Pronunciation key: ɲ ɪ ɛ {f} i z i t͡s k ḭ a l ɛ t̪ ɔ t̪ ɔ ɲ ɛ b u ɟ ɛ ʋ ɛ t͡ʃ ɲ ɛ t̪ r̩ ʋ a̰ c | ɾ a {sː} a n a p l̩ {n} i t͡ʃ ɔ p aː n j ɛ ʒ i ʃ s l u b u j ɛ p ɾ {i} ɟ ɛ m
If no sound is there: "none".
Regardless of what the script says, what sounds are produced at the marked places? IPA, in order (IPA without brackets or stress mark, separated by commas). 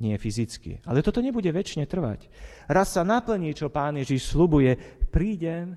f, sː, ɲ, iː